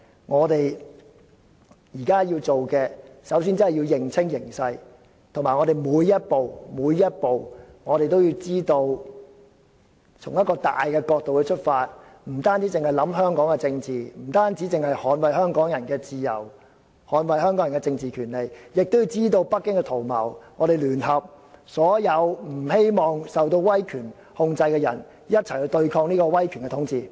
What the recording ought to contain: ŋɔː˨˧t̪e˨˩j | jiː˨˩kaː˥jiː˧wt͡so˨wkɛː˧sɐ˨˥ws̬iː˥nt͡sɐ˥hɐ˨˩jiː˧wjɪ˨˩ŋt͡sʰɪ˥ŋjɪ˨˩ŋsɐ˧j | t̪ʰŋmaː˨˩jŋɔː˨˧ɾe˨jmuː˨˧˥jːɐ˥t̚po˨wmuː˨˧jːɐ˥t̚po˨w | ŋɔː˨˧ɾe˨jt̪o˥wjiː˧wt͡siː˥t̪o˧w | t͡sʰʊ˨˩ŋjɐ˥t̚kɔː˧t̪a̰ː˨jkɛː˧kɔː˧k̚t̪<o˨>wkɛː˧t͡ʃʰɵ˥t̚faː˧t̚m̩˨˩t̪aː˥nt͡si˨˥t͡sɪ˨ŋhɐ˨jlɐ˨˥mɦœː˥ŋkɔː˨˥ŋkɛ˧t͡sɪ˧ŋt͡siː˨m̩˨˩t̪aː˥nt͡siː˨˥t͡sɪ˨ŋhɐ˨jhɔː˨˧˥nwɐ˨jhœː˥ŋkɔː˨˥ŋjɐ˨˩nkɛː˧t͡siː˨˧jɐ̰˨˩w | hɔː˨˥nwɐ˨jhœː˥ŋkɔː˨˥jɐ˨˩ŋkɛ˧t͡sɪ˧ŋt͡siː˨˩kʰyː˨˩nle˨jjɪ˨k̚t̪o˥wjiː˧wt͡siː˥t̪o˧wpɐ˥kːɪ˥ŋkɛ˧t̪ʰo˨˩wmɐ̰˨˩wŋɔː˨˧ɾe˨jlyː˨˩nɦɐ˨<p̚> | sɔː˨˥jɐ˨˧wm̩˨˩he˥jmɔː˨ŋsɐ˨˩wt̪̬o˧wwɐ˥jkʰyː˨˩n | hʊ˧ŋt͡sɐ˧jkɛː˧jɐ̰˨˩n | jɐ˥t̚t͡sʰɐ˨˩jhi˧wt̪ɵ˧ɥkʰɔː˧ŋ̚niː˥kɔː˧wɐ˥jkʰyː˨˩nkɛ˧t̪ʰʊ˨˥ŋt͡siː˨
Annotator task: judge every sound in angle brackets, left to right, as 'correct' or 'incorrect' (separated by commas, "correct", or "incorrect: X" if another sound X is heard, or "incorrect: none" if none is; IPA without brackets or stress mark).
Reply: correct, correct